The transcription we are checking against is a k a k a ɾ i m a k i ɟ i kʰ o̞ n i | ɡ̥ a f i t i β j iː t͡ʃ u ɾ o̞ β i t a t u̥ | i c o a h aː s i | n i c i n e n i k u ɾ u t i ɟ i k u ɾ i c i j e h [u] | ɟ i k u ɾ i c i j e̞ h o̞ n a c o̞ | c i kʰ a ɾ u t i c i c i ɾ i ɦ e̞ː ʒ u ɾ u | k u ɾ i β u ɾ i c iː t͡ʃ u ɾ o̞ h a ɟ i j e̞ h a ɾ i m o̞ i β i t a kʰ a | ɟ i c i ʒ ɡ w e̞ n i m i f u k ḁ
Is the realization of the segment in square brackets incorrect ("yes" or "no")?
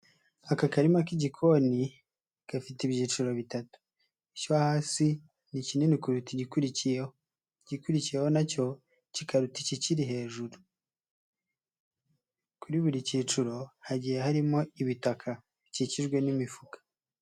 yes